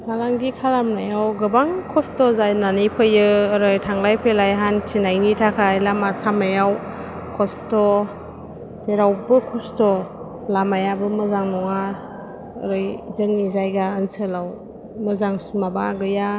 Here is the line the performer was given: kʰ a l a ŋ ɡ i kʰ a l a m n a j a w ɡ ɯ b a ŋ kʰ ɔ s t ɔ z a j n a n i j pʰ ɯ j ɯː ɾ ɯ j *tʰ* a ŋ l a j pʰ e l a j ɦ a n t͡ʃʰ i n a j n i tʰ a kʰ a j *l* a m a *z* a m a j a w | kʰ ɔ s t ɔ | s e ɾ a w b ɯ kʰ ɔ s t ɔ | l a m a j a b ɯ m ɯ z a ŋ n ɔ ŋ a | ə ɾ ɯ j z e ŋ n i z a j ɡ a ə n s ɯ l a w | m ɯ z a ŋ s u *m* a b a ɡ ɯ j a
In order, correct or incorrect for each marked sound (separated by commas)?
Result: correct, correct, incorrect, correct